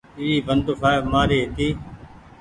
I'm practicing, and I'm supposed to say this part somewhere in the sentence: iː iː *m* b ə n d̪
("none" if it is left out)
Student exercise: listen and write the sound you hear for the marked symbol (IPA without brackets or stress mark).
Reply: none